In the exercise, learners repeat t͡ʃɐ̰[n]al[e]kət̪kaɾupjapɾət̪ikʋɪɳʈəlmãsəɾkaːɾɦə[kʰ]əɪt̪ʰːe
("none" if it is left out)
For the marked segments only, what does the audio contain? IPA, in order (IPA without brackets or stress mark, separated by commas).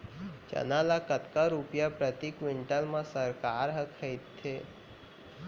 n, a, kʰ